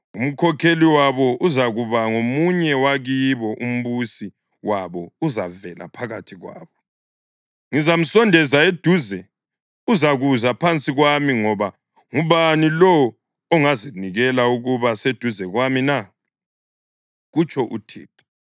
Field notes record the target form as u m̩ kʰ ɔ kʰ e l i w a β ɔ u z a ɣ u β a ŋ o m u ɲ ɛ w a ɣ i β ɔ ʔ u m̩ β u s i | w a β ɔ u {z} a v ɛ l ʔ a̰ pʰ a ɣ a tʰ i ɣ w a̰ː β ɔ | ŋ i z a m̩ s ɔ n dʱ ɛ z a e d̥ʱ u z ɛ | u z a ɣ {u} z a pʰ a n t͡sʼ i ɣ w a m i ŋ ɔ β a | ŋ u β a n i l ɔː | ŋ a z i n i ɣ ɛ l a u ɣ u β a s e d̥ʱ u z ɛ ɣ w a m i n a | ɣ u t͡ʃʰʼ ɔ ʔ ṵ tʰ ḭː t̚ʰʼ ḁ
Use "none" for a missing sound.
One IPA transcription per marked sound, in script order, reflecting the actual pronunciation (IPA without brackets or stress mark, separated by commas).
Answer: z, u